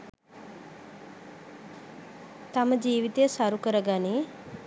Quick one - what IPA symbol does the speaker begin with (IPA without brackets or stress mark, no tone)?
t̪